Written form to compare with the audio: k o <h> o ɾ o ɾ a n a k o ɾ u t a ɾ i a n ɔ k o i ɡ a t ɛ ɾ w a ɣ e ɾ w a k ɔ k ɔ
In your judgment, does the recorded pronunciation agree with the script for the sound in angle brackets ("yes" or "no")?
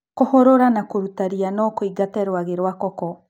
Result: yes